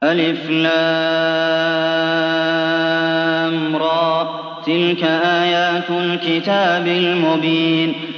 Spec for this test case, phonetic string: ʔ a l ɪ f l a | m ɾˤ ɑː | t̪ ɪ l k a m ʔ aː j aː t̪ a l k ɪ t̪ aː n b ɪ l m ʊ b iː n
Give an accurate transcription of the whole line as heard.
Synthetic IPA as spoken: ʔ a l ɪ f l a | m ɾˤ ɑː | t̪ ɪ l k a ʔ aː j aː t̪ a l k ɪ t̪ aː b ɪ l m ʊ b iː n